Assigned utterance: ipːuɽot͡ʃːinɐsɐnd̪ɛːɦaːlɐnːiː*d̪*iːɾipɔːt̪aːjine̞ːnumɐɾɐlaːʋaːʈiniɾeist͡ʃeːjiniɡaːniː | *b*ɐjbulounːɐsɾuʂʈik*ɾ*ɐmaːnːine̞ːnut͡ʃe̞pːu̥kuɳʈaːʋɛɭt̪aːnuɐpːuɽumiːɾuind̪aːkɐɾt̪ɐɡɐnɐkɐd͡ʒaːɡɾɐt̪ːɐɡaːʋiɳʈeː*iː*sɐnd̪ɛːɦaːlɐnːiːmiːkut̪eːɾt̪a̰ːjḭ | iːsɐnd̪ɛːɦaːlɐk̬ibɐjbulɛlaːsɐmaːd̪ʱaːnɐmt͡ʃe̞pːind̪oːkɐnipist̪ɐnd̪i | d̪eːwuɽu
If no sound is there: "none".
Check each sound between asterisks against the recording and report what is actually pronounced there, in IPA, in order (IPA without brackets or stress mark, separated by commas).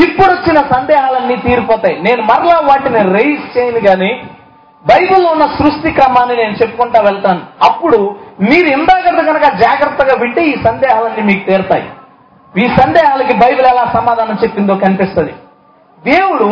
t̪, b, ɾ, iː